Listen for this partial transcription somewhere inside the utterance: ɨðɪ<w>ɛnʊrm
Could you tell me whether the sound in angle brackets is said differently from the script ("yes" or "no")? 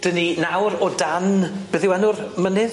no